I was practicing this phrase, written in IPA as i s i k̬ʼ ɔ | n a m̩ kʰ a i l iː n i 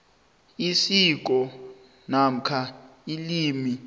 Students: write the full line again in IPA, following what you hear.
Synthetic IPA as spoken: i s i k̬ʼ ɔ | n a m̩ kʰ a i l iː m i